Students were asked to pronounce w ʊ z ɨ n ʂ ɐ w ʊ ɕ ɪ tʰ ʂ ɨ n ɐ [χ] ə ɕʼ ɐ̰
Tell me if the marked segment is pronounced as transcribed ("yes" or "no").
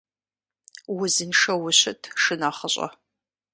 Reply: yes